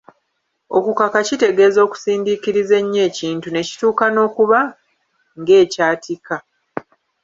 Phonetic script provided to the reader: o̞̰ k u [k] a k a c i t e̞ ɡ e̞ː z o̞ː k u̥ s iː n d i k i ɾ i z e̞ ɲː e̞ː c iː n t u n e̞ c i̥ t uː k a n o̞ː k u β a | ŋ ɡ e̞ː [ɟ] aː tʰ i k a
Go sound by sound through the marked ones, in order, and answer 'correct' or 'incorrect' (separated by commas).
correct, incorrect